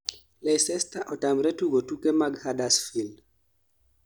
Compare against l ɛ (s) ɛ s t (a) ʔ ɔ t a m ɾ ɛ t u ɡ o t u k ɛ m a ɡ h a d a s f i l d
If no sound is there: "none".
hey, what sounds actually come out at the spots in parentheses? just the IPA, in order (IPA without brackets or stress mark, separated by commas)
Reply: s, a